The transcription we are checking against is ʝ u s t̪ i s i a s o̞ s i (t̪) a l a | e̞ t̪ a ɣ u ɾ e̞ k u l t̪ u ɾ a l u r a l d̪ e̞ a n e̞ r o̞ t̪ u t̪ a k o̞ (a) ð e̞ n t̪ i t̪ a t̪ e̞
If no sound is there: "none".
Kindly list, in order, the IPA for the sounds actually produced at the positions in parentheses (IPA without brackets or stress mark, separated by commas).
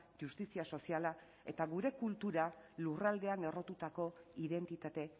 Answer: none, i